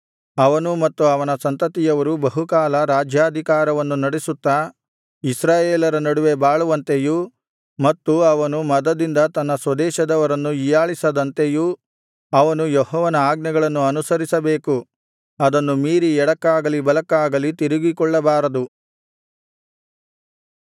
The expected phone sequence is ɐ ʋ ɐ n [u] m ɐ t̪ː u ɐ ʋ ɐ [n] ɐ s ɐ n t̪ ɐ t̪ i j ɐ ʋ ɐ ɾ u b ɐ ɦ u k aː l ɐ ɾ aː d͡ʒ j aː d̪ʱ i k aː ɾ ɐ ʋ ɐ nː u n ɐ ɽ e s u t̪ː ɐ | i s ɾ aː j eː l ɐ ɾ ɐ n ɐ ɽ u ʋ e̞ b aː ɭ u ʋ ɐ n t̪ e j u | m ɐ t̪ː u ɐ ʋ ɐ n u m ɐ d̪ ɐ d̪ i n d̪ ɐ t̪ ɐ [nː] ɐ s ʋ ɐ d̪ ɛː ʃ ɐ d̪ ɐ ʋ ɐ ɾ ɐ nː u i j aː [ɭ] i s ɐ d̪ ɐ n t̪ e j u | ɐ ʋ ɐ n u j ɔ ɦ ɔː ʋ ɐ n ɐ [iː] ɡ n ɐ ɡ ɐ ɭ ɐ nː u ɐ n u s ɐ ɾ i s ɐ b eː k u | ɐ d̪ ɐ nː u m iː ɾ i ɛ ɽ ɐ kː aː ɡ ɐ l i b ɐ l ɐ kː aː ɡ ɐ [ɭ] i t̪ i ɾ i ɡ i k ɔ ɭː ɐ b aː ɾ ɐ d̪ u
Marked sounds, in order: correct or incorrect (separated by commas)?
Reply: correct, correct, correct, correct, incorrect, incorrect